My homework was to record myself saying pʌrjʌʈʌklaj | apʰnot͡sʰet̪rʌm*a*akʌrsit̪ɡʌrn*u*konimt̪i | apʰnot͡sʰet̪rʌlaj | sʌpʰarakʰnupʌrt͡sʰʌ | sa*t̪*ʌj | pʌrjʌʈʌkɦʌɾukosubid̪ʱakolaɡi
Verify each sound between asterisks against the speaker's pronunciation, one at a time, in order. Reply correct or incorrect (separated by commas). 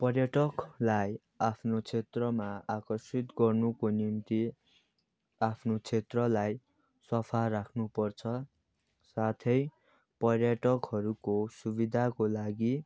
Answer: correct, correct, incorrect